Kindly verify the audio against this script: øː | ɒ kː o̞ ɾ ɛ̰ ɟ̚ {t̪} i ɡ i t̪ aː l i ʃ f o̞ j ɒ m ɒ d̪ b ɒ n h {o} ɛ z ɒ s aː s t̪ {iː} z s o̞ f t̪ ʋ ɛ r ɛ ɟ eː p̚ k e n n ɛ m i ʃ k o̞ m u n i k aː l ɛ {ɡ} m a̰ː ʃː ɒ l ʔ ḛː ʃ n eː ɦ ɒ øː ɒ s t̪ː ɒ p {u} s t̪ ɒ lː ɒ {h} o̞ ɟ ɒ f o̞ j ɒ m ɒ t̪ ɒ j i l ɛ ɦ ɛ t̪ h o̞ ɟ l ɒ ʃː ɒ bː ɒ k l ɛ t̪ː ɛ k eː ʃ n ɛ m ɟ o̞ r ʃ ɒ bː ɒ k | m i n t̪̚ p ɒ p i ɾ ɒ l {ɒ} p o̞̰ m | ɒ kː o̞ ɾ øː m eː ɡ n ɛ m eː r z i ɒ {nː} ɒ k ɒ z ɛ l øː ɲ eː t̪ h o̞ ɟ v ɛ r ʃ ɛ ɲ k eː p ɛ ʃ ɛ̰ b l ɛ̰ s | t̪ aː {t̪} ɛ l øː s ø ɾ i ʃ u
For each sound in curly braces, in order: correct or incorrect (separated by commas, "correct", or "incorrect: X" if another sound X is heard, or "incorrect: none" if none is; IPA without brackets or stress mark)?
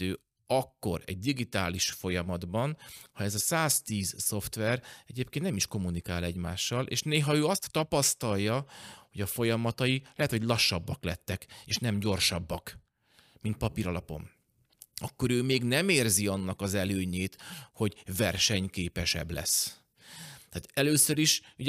incorrect: d̪, incorrect: ɒ, correct, incorrect: ɟ, incorrect: ɒ, correct, correct, correct, correct